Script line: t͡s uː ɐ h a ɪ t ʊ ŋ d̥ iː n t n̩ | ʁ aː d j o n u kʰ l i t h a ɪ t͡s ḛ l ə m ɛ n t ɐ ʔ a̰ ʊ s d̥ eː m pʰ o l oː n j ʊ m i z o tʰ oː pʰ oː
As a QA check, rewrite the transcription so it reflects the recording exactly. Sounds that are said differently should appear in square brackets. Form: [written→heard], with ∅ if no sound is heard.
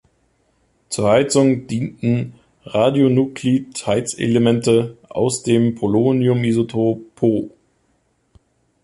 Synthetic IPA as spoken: t͡s uː ɐ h a ɪ [t→t͡s] ʊ ŋ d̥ iː n t n̩ | ʁ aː d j o n u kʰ l i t h a ɪ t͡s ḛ l ə m ɛ n t [ɐ→ə] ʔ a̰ ʊ s d̥ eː m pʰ o l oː n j ʊ m i z o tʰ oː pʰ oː